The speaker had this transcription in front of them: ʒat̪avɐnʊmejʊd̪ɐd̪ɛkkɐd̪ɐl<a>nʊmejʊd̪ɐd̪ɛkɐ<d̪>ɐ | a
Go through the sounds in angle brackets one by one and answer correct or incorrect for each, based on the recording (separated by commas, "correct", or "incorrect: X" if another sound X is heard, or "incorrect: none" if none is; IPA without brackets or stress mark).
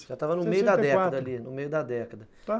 incorrect: i, correct